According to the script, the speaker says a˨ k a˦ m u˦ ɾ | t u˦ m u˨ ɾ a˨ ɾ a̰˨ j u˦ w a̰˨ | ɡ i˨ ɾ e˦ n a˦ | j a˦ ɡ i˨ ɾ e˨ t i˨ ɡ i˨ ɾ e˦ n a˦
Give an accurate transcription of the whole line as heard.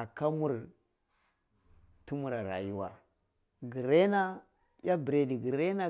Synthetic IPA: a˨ k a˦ m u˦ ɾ | t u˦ m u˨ ɾ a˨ ɾ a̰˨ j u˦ w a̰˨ | ɡ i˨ ɾ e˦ n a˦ | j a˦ b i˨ ɾ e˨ d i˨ ɡ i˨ ɾ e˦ n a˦